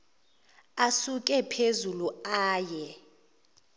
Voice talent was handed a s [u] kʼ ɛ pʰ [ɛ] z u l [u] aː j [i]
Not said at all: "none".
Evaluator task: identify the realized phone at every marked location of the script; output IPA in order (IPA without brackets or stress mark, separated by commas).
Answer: u, e, u, ɛ